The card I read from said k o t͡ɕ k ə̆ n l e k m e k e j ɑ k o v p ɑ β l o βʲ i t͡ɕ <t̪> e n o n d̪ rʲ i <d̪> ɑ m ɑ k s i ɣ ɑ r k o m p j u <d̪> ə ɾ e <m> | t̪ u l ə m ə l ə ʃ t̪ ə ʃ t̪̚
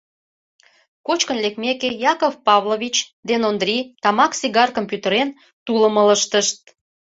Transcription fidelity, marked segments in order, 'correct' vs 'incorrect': incorrect: d̪, incorrect: t̪, incorrect: t̪, incorrect: n

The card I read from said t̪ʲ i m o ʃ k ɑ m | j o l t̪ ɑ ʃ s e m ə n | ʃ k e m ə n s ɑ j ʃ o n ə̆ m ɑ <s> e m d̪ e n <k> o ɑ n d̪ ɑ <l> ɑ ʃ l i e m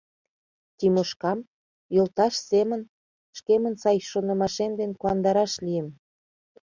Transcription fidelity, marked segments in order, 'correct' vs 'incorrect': incorrect: ʃ, correct, incorrect: ɾ

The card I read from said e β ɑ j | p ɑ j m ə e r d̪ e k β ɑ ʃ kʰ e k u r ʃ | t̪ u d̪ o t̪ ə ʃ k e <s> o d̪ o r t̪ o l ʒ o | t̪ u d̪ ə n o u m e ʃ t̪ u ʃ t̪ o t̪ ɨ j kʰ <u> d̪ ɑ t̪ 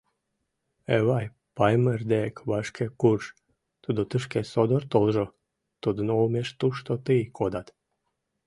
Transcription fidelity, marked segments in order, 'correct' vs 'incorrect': correct, incorrect: o

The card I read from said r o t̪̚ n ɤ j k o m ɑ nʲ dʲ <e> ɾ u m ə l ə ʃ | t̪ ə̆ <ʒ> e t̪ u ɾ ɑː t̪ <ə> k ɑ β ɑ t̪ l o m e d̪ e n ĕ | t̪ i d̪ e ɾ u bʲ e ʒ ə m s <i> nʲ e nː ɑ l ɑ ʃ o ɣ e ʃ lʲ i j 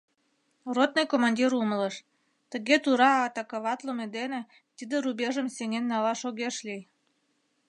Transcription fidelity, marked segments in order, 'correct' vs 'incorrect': incorrect: i, incorrect: ɣ, incorrect: ɑ, incorrect: e

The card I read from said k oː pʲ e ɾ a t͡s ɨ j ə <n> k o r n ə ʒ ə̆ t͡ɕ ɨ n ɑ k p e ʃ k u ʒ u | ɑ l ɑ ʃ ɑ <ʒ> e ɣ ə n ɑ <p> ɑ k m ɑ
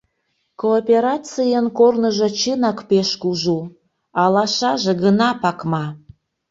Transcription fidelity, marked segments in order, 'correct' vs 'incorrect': correct, correct, correct

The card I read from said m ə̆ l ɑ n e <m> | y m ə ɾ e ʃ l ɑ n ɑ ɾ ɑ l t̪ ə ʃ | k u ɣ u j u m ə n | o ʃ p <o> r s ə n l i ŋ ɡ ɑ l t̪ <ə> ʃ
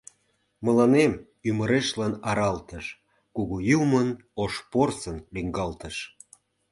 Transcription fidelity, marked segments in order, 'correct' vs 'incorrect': correct, correct, correct

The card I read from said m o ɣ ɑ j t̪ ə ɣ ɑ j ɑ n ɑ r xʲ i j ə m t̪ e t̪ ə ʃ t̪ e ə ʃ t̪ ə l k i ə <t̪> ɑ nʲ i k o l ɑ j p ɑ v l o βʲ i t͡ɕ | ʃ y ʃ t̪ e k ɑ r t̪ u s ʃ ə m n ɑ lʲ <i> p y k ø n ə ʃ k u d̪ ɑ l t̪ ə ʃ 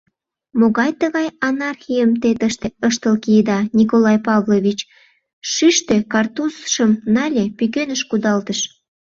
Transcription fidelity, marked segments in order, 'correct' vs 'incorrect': incorrect: d̪, incorrect: e

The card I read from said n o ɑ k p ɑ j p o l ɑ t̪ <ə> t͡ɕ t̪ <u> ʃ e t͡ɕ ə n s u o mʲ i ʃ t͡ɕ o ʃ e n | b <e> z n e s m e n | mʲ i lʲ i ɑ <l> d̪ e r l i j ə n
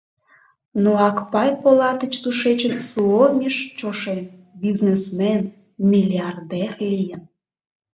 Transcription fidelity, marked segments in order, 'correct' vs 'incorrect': correct, correct, incorrect: i, incorrect: r

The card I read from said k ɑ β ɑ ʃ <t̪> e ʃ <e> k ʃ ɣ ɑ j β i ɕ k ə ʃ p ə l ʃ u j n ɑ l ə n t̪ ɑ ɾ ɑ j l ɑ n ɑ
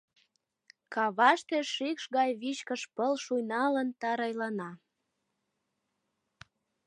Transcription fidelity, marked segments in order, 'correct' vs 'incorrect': correct, incorrect: i

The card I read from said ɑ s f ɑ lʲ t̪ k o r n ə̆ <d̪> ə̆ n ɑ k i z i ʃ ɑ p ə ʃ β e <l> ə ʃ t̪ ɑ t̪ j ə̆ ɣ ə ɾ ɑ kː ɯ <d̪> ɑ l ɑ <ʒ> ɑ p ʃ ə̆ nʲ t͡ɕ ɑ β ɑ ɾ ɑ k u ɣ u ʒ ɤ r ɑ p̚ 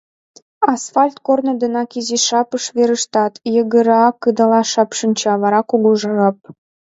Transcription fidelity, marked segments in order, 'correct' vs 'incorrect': correct, incorrect: ɾ, correct, incorrect: ʃ

